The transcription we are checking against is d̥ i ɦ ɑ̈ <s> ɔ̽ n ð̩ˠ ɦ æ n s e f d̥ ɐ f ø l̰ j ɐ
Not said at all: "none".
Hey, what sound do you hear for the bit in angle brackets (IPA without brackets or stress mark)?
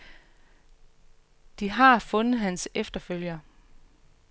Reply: f